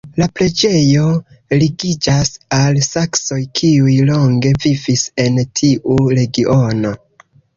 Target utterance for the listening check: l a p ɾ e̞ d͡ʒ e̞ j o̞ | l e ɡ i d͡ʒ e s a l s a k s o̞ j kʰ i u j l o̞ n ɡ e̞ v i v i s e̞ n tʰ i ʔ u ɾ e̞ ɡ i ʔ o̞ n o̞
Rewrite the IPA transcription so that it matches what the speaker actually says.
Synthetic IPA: l a p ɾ e̞ d͡ʒ e̞ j o̞ | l i ɡ i d͡ʒ a s a l s a k s o̞ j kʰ i u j l o̞ ŋ ɡ e̞ v i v i s e̞ n tʰ i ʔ u ɾ e̞ ɡ i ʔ o̞ n o̞